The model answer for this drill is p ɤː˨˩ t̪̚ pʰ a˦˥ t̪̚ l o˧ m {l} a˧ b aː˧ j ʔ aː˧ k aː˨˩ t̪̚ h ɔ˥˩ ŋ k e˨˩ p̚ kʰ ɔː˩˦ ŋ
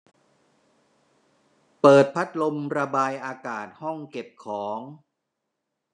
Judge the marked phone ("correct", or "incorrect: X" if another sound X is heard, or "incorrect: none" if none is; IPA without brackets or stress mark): incorrect: ɾ